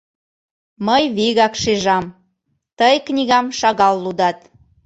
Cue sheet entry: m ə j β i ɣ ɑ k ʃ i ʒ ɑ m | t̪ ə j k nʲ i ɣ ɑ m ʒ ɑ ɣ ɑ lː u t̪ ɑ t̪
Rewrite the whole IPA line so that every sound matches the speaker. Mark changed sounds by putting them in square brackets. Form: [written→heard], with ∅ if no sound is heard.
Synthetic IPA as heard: m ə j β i ɣ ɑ k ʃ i ʒ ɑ m | t̪ ə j k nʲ i ɣ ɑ m [ʒ→ʃ] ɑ ɣ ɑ lː u [t̪→d̪] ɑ t̪